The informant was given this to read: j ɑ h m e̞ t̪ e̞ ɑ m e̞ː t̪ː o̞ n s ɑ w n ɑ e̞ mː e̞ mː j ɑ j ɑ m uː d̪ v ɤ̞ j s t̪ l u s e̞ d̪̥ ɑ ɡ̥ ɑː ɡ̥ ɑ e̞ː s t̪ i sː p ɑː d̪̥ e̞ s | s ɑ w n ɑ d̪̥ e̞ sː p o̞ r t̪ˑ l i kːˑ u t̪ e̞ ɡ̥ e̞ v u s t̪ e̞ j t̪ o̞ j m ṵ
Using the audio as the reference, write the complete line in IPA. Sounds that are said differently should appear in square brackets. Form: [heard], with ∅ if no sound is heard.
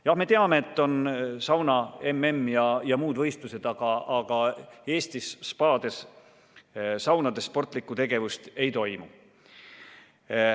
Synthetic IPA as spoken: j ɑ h m e̞ t̪ e̞ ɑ m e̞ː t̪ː o̞ n s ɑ w n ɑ e̞ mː e̞ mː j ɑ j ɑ m uː d̪ v ɤ̞ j s t̪ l u s e̞ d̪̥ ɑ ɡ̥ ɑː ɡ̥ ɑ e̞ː s t̪ i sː p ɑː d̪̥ e̞ s | s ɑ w n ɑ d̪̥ e̞ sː p o̞ r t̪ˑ l i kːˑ u t̪ e̞ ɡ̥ e̞ v u s t̪ e̞ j t̪ o̞ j m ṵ

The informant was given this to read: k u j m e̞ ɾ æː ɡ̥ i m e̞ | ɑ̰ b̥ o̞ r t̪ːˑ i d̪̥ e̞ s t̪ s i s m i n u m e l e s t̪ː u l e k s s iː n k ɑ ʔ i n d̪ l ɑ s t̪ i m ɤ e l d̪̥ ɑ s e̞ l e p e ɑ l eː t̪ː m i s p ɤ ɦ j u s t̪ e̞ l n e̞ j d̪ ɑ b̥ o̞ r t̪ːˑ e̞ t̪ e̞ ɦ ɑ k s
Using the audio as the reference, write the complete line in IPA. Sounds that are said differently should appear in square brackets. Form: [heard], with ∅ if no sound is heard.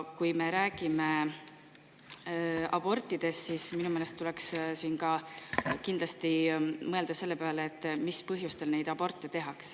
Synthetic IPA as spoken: k u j m e̞ ɾ æː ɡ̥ i m e̞ | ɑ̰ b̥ o̞ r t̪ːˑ i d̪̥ e̞ s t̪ s i s m i n u m e l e s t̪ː u l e k s s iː n k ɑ [k] i n d̪ l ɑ s t̪ i m ɤ e l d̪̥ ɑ s e̞ [lː] e p e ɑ l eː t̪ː m i s p ɤ ɦ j u s t̪ e̞ l n e̞ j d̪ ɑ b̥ o̞ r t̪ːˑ e̞ t̪ e̞ ɦ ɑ k s

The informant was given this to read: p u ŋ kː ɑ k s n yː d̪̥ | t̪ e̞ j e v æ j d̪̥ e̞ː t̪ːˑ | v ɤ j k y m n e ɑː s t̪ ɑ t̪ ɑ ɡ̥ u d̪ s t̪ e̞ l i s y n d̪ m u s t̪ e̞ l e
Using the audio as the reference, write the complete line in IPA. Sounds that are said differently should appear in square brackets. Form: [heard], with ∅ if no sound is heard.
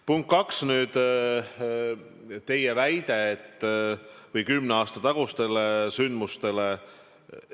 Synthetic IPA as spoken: p u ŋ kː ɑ k s n yː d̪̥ | t̪ e̞ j e v æ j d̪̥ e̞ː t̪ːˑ | v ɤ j k y m n e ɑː s t̪ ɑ t̪ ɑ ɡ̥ u [∅] s t̪ e̞ l [e] s y n d̪ m u s t̪ e̞ l e

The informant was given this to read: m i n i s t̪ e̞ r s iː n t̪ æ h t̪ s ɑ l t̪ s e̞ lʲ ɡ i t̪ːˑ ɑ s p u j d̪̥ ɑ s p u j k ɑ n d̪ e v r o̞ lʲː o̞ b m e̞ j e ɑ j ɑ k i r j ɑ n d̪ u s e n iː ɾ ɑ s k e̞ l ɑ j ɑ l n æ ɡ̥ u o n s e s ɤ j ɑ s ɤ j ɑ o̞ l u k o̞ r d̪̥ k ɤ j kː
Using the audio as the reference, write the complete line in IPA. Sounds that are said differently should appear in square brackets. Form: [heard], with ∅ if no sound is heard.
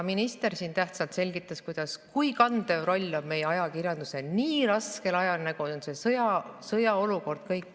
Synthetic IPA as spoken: m i n i s t̪ e̞ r s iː n t̪ æ h t̪ s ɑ l t̪ s e̞ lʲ ɡ i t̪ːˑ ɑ s [k] u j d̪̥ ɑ s [k] u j k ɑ n d̪ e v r o̞ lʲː o̞ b m e̞ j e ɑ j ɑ k i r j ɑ n d̪ u s e n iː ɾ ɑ s k e̞ l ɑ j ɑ l n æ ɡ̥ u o n s e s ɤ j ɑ s ɤ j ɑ o̞ l u k o̞ r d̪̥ k ɤ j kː

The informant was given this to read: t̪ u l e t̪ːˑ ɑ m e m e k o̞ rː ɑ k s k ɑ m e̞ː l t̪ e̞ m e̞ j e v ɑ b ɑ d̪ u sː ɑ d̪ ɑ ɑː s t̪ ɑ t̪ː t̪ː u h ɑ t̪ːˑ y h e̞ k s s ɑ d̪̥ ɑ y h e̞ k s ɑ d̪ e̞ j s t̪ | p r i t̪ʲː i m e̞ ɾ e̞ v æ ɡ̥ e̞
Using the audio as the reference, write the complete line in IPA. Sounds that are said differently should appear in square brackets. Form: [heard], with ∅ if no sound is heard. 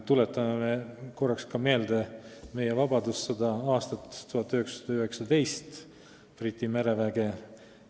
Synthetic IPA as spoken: t̪ u l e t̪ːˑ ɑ m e m e k o̞ rː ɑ k s k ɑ m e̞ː l [d̪] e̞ m e̞ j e v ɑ b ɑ d̪ u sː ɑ d̪ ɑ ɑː s t̪ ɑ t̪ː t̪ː u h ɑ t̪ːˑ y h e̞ k s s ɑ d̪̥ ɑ y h e̞ k s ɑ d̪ e̞ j s t̪ | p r i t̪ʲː i m e̞ ɾ e̞ v æ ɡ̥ e̞

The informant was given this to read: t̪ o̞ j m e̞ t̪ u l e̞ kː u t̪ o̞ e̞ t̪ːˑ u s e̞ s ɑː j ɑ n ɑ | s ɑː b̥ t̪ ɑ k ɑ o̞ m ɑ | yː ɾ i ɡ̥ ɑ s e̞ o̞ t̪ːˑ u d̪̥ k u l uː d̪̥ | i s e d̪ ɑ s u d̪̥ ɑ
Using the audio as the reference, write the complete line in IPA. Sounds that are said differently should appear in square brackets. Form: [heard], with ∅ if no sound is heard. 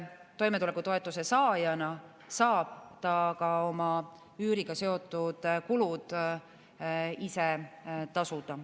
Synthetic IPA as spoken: t̪ o̞ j m e̞ t̪ u l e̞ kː u t̪ o̞ e̞ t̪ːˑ u s e̞ s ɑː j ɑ n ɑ | s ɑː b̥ t̪ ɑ k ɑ o̞ m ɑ | yː ɾ i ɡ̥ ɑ s e̞ o̞ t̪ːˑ u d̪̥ k u l [u] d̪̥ | i s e [t̪] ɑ s u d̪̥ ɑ

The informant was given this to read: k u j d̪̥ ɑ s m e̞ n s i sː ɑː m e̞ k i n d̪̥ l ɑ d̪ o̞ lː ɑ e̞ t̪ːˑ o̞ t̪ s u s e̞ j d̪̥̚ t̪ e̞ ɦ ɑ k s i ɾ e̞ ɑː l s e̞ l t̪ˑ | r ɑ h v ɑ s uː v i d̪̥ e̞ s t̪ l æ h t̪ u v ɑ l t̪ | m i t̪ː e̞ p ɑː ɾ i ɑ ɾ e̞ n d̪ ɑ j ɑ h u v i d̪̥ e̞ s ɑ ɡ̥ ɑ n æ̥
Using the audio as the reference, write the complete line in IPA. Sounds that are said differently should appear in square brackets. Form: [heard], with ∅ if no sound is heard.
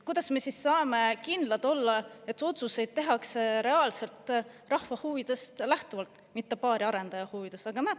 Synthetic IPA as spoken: k u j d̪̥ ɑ s m e̞ [∅] s i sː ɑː m e̞ k i n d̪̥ l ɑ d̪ o̞ lː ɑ e̞ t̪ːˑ o̞ t̪ s u s e̞ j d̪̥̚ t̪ e̞ ɦ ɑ k s [e] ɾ e̞ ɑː l s e̞ l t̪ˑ | r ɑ h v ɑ [h] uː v i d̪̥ e̞ s t̪ l æ h t̪ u v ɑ l t̪ | m i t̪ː e̞ p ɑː ɾ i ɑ ɾ e̞ n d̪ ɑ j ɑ h u v i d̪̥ e̞ s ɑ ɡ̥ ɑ n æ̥

